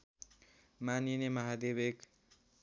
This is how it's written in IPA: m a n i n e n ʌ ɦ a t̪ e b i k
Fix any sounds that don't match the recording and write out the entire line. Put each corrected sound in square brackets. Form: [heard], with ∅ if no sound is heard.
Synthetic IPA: m a n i n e [m] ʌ ɦ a [d̪] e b [e] k